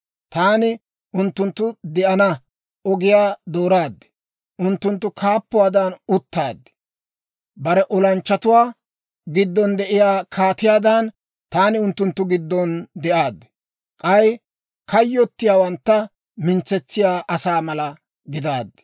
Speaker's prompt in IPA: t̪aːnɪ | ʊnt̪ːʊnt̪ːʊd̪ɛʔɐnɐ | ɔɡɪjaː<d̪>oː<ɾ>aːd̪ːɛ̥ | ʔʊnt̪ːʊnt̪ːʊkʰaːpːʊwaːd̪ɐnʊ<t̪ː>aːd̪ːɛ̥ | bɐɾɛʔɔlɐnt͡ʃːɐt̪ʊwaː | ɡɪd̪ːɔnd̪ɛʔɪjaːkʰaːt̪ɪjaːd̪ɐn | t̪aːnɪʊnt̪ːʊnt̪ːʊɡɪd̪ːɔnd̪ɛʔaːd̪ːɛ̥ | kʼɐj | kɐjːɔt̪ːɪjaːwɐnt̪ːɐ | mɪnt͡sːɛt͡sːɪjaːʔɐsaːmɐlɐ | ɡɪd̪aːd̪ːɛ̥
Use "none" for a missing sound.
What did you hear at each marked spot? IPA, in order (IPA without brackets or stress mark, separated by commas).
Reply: d̪, ɾ, t̪ː